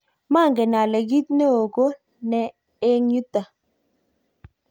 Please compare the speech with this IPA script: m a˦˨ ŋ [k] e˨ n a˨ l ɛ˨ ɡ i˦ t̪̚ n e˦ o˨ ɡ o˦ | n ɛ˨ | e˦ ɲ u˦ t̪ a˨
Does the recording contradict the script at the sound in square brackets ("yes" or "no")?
yes